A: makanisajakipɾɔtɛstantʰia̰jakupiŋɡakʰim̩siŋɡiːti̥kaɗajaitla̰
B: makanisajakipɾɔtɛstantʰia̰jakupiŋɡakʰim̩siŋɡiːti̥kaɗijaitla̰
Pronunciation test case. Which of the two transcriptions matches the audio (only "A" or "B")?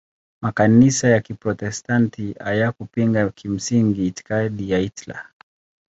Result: B